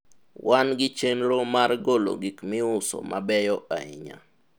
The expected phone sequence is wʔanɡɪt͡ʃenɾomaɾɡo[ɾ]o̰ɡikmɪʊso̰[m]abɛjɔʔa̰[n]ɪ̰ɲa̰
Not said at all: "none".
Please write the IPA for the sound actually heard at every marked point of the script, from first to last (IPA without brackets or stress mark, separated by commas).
l, m, none